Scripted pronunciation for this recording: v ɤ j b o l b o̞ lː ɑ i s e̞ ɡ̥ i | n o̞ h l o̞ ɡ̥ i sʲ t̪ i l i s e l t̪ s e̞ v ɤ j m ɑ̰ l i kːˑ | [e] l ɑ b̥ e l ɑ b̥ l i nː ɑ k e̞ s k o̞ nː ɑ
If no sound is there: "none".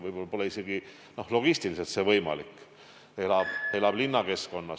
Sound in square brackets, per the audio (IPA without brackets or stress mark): e